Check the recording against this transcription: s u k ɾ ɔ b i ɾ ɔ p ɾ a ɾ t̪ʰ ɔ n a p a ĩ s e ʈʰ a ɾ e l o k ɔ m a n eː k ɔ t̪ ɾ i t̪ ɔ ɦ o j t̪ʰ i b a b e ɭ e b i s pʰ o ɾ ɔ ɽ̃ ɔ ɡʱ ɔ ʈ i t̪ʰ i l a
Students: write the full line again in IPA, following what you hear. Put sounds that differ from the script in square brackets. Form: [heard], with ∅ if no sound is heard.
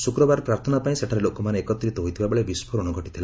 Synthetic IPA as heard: s u k ɾ ɔ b [a] ɾ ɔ p ɾ a ɾ t̪ʰ ɔ n a p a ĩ s e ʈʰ a ɾ e l o k ɔ m a n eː k ɔ t̪ ɾ i t̪ ɔ ɦ o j t̪ʰ i b a b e ɭ e b i s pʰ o ɾ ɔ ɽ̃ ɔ ɡʱ ɔ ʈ i t̪ʰ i l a